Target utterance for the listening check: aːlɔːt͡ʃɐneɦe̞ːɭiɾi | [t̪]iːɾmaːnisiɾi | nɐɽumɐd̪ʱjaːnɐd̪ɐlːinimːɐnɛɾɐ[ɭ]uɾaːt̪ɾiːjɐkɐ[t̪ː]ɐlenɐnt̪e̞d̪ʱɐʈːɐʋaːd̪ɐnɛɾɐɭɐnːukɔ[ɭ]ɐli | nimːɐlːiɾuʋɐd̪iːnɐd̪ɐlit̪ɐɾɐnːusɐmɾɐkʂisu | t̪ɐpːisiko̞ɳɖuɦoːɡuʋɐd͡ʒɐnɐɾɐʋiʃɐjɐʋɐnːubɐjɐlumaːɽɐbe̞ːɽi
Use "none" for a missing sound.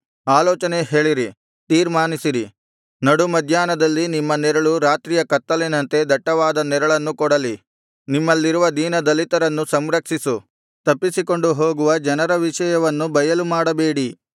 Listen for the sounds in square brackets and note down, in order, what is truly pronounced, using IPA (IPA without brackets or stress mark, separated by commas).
t̪, ɭ, t̪ː, ɽ